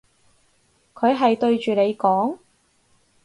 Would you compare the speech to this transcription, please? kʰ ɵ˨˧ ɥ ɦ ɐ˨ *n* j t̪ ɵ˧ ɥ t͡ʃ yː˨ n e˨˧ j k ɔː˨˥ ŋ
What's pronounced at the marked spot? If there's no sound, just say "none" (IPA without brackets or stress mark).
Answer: none